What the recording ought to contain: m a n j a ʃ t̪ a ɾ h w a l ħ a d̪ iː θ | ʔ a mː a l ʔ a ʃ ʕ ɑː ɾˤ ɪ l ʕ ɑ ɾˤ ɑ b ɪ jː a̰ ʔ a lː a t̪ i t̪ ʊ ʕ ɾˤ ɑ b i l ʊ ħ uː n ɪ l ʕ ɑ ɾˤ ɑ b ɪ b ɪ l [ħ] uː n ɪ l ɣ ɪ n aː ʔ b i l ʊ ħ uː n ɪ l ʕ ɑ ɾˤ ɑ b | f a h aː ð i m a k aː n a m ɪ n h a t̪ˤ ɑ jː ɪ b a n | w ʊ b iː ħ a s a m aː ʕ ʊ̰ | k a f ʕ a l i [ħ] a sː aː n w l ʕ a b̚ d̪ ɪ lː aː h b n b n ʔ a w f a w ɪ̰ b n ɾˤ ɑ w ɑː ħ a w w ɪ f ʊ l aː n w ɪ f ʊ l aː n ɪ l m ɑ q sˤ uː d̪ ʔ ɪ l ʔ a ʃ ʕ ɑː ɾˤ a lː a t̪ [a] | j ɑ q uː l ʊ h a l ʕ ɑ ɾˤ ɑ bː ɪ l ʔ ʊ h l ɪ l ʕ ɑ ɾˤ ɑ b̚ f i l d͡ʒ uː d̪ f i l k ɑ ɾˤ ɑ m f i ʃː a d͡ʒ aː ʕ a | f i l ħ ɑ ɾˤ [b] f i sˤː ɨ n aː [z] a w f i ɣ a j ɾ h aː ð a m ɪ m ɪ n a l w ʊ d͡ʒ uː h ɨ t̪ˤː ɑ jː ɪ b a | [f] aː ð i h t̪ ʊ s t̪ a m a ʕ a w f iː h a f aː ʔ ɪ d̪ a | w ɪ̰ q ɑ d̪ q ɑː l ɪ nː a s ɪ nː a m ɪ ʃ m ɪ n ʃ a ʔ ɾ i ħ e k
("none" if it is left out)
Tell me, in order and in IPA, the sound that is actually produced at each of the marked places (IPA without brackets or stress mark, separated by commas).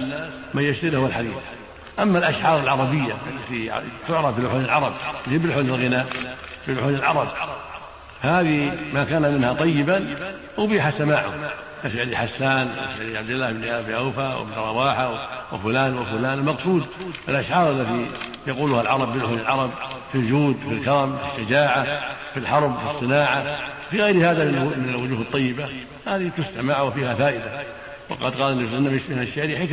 ħ, ħ, i, b, ʕ, h